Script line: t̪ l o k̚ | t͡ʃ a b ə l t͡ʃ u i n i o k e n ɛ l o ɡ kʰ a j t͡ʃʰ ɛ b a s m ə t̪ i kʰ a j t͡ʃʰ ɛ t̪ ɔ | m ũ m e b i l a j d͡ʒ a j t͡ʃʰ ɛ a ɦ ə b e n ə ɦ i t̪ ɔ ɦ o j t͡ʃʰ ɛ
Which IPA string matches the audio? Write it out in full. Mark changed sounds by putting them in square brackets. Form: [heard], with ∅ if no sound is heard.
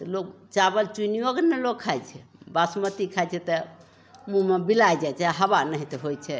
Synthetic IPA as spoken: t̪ l o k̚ | t͡ʃ a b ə l t͡ʃ u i n i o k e n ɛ l o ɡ kʰ a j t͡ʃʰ ɛ b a s m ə t̪ i kʰ a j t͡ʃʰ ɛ t̪ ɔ | m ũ m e b i l a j d͡ʒ a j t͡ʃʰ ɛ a ɦ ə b [a] n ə ɦ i t̪ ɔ ɦ o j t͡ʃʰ ɛ